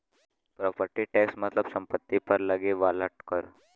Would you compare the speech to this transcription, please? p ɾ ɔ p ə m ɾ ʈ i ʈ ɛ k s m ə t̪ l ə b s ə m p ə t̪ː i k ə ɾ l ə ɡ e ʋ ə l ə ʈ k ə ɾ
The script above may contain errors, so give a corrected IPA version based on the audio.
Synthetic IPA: p ɾ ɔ p ə ɾ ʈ i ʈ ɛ k s m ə t̪ l ə b s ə m p ə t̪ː i p ə ɾ l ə ɡ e ʋ a l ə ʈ k ə ɾ